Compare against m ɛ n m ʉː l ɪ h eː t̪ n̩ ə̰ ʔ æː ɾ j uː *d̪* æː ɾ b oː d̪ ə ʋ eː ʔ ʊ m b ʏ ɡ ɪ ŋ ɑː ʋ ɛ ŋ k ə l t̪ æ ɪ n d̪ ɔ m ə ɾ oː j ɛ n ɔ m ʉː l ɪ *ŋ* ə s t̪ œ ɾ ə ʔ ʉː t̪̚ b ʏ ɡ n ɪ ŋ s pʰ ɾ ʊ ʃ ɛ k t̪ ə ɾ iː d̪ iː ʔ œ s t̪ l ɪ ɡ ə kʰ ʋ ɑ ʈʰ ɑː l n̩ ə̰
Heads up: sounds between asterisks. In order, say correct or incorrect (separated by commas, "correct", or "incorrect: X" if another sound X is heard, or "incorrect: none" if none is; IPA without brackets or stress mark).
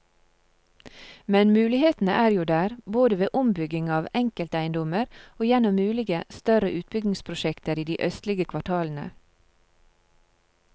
correct, incorrect: ɡ